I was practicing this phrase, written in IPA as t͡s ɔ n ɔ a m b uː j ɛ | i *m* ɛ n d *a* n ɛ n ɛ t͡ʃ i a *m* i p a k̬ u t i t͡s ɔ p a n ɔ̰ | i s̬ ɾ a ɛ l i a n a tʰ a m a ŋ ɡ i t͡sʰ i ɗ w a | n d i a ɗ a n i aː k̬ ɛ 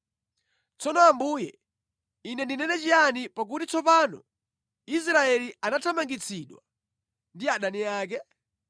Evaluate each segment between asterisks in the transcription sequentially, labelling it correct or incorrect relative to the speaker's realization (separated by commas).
incorrect, incorrect, incorrect